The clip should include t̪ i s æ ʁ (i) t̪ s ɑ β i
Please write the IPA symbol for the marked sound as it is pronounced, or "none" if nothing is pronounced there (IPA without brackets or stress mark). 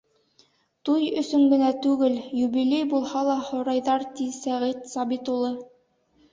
i